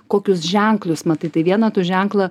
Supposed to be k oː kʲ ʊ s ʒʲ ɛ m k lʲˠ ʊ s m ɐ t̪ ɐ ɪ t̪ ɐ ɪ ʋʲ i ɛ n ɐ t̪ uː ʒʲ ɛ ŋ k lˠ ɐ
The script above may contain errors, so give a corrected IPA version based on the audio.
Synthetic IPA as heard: k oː kʲ ʊ s ʒʲ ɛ ŋ k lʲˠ ʊ s m ɐ t̪ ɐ ɪ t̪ ɐ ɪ ʋʲ i ɛ n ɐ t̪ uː ʒʲ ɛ ŋ k lˠ ɐ